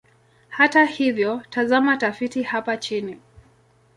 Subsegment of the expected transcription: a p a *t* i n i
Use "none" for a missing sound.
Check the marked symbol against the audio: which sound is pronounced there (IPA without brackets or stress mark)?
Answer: t͡ʃ